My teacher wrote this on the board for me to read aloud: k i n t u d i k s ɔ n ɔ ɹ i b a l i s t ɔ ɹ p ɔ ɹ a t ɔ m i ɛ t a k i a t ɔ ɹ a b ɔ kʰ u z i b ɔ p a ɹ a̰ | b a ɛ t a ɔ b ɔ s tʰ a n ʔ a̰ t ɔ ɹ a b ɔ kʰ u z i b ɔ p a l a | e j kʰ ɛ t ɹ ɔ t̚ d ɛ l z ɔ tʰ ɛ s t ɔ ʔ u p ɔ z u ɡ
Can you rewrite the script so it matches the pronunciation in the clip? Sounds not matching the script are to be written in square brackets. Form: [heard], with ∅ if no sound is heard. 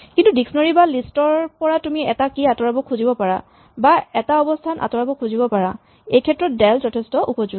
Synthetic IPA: k i n t u d i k s ɔ n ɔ ɹ i b a l i s t ɔ ɹ p ɔ ɹ a t [u] m i ɛ t a k i a t ɔ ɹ a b ɔ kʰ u z i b ɔ p a ɹ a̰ | b a ɛ t a ɔ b ɔ s tʰ a n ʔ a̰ t ɔ ɹ a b ɔ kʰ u z i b ɔ p a [ɹ] a | e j kʰ ɛ t ɹ ɔ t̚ d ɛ l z ɔ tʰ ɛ s t ɔ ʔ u p ɔ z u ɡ